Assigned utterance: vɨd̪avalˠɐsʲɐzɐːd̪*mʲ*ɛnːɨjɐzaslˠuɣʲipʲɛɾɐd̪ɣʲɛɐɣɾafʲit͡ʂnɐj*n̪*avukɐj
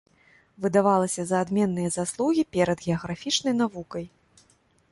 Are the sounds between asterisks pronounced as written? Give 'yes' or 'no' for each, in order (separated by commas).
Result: yes, yes